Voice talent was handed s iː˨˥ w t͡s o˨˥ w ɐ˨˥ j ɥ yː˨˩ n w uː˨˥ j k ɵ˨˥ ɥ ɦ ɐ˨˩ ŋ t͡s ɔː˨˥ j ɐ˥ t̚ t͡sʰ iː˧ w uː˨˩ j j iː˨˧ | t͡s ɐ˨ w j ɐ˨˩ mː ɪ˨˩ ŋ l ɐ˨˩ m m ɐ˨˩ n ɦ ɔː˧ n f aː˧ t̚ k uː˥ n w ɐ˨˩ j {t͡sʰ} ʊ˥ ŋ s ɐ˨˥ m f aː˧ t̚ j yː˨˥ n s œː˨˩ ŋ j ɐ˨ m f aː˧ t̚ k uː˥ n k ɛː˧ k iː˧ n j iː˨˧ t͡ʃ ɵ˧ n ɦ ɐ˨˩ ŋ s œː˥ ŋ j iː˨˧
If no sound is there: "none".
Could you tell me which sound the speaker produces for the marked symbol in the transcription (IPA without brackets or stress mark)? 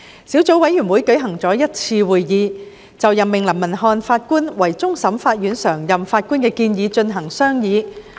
t͡s